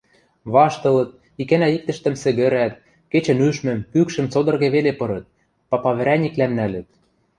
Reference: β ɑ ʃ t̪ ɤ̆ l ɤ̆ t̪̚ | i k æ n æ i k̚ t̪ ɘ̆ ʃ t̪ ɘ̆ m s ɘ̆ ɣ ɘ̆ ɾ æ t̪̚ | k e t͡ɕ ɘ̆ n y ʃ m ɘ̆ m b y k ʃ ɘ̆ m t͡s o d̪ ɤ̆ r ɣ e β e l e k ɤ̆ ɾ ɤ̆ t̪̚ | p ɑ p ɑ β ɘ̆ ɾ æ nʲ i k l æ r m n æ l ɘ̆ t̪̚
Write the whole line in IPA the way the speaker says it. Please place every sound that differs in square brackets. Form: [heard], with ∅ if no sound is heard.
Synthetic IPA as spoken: β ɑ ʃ t̪ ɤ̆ l ɤ̆ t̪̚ | i k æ n æ i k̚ t̪ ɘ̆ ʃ t̪ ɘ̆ m s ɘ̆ ɣ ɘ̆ ɾ æ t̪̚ | k e t͡ɕ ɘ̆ n y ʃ m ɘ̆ m [p] y k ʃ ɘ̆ m t͡s o d̪ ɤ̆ r ɣ e β e l e [p] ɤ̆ ɾ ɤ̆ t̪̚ | p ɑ p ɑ β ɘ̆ ɾ æ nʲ i k l æ [∅] m n æ l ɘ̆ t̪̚

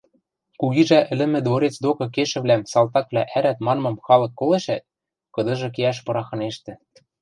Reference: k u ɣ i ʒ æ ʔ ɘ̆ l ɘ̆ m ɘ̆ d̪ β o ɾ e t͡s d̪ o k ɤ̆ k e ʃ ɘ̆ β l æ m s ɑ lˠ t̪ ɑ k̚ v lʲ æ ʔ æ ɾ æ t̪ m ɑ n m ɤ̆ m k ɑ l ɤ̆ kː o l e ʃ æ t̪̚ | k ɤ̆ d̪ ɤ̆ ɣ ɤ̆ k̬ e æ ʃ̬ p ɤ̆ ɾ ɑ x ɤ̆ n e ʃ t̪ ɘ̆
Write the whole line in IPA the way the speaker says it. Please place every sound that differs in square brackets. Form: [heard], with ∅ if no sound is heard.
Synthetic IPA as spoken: k u ɣ i ʒ æ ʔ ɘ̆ l ɘ̆ m ɘ̆ d̪ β o ɾ e t͡s d̪ o k ɤ̆ k e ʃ ɘ̆ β l æ m s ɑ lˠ t̪ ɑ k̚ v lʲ æ ʔ æ ɾ æ t̪ m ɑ n m ɤ̆ m [x] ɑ l ɤ̆ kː o l e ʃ æ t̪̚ | k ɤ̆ d̪ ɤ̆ [ʒ] ɤ̆ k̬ e æ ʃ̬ p ɤ̆ ɾ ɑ x ɤ̆ n e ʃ t̪ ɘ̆

